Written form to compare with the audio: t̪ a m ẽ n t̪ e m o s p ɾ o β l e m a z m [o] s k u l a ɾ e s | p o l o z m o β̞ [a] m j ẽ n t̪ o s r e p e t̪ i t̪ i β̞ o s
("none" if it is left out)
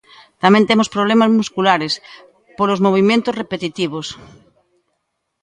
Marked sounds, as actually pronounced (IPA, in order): u, i

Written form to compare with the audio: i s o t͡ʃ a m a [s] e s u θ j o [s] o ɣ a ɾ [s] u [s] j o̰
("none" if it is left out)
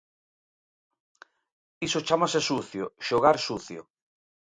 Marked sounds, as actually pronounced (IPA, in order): s, ʃ, s, θ

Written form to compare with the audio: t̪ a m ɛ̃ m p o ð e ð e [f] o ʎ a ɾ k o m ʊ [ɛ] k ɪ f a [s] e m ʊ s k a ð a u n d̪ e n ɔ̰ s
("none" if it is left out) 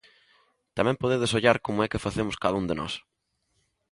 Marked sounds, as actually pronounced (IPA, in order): s, ɛ, θ

